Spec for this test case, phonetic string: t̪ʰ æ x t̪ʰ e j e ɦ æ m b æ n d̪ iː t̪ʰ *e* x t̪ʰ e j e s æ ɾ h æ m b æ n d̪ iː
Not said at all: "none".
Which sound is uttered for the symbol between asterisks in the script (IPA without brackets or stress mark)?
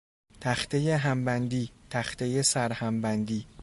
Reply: æ